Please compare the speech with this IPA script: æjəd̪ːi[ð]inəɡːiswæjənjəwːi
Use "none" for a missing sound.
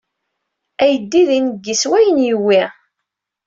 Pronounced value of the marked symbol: ð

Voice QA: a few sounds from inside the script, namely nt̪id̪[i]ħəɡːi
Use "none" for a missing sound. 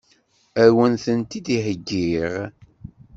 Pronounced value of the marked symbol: i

